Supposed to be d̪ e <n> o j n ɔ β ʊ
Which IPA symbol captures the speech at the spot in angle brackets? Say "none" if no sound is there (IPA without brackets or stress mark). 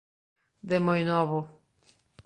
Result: m